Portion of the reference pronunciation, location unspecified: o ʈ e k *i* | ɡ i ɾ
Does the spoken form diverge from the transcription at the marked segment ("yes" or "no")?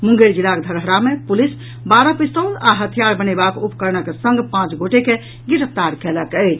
yes